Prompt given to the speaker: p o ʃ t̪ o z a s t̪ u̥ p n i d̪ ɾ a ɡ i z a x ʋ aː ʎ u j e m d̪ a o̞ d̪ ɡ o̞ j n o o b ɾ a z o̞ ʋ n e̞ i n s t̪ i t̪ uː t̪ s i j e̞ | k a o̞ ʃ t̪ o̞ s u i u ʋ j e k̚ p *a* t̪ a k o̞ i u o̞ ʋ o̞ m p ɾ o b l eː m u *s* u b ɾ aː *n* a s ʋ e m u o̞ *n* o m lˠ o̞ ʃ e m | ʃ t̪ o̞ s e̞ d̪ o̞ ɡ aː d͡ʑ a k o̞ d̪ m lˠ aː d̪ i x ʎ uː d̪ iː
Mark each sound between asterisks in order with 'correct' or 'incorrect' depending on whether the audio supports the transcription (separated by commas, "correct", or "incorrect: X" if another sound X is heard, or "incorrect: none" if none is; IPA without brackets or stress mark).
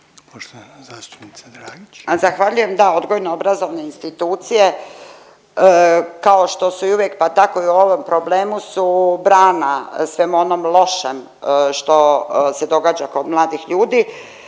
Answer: correct, correct, correct, correct